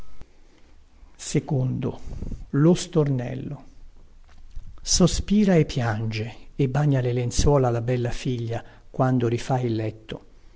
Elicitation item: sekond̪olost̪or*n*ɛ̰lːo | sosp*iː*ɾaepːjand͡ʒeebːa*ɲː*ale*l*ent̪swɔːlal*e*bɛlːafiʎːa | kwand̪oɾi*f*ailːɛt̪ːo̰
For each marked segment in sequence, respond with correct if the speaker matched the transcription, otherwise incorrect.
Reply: correct, correct, correct, correct, incorrect: a, correct

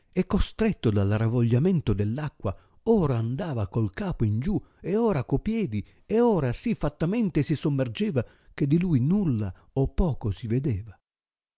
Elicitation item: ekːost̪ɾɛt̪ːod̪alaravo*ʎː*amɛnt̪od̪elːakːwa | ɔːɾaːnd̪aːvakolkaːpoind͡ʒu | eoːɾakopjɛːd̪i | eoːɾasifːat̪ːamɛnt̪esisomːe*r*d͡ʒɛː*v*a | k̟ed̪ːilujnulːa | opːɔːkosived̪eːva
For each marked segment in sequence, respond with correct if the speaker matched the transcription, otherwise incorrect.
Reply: correct, correct, correct

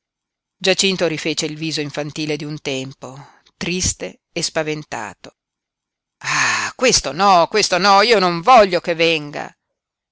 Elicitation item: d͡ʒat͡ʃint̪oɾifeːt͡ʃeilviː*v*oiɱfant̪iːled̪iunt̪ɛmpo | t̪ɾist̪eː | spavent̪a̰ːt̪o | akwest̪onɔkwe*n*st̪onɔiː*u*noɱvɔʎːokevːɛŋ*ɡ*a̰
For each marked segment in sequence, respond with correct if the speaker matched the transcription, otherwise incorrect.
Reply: incorrect: z, incorrect: none, incorrect: o, correct

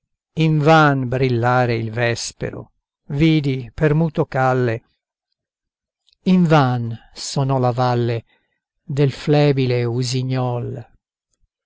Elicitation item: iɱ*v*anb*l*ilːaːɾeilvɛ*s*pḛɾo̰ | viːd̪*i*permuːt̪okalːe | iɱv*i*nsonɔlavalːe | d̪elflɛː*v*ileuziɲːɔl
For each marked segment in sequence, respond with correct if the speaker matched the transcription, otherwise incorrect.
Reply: correct, incorrect: ɾ, correct, correct, incorrect: a, incorrect: b

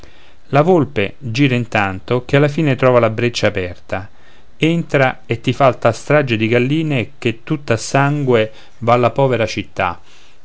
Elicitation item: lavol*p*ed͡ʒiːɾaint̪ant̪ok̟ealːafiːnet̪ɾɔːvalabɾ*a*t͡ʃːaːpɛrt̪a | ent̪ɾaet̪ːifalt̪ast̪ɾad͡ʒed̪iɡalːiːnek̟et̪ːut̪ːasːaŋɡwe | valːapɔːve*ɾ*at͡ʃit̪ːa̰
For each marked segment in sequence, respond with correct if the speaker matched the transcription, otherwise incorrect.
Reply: correct, incorrect: e, correct

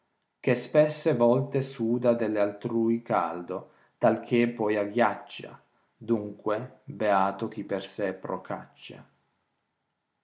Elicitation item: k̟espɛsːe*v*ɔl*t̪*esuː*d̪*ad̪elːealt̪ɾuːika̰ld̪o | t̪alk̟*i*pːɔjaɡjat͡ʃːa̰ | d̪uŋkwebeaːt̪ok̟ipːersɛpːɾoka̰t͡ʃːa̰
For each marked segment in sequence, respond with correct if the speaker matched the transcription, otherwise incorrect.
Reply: correct, correct, correct, incorrect: e

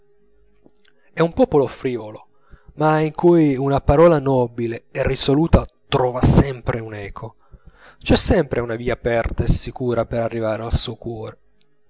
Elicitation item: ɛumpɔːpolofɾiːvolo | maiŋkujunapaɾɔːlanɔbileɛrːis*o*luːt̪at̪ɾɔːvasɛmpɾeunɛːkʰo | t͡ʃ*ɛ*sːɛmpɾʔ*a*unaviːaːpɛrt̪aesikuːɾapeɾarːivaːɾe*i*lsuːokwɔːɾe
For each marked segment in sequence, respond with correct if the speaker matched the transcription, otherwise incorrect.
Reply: correct, correct, incorrect: e, incorrect: a

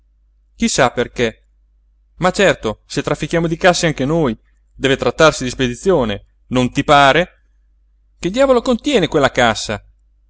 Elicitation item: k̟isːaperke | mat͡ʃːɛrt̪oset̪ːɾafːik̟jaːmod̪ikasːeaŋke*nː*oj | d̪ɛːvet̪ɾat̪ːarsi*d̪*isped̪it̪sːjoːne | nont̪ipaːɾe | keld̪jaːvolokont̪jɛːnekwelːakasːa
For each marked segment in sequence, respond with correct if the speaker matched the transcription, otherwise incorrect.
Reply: incorrect: n, correct

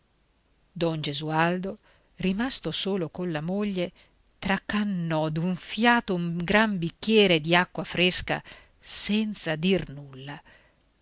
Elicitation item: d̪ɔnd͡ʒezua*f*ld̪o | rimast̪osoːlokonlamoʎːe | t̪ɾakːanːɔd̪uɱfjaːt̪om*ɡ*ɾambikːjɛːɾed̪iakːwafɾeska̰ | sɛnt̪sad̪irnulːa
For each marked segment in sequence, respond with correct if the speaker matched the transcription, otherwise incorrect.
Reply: incorrect: none, correct

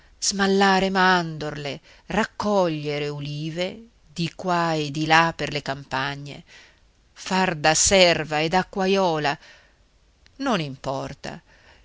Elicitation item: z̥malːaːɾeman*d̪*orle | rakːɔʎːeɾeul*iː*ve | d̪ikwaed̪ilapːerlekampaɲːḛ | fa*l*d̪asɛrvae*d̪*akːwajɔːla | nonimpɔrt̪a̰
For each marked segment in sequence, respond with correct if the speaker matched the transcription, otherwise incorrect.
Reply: correct, correct, incorrect: r, correct

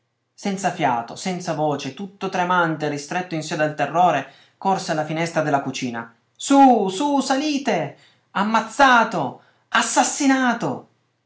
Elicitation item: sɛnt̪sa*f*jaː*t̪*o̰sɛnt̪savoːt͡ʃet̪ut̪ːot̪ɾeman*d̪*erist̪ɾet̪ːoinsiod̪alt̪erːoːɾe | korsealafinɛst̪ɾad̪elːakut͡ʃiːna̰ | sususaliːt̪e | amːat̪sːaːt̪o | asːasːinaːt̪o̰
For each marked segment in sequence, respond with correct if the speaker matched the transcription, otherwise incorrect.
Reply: correct, correct, incorrect: t̪

